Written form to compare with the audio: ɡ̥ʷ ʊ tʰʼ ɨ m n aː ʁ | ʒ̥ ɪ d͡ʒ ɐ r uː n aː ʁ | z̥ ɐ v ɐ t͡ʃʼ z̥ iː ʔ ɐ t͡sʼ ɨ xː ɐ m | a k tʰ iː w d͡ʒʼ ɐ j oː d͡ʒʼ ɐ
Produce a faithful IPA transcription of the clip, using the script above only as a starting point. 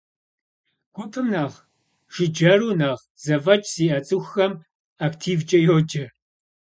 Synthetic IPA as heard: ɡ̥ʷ ʊ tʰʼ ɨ m n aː ʁ | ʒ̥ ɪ d͡ʒ ɐ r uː n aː ʁ | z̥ ɐ v ɐ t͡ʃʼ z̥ iː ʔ ɐ t͡sʼ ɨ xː ɐ m | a k tʰ iː v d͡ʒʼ ɐ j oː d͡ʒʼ ɐ